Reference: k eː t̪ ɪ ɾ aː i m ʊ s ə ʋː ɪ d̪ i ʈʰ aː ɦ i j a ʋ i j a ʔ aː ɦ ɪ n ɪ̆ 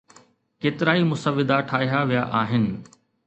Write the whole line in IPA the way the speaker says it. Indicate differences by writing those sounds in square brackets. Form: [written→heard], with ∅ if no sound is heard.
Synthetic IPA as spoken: k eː t̪ ɪ ɾ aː i m ʊ s ə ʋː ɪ d̪ [i→a] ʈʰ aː ɦ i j a ʋ i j a ʔ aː ɦ ɪ n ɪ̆